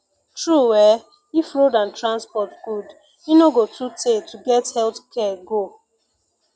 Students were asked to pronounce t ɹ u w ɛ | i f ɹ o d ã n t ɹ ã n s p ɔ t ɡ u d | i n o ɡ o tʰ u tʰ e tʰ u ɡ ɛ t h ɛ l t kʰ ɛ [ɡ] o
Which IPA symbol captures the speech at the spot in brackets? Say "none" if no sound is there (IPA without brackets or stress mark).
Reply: ɡ